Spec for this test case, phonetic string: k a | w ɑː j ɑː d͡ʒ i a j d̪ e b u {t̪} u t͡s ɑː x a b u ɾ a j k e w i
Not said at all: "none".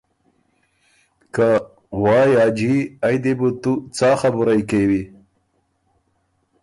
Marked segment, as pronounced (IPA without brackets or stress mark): t̪